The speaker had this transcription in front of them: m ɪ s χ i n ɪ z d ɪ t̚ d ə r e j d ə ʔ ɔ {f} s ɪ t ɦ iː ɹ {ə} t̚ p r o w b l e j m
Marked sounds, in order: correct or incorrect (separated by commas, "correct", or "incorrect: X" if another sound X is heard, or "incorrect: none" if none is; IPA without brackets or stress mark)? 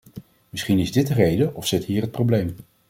correct, correct